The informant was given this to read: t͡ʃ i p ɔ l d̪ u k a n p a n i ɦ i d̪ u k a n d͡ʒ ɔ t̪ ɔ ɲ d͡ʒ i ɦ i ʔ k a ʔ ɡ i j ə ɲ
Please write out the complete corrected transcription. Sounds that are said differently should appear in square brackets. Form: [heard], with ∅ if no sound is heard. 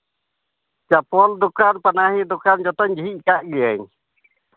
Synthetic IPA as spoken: t͡ʃ [a] p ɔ l d̪ u k a n p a n [a] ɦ i d̪ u k a n d͡ʒ ɔ t̪ ɔ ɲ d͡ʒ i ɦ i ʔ k a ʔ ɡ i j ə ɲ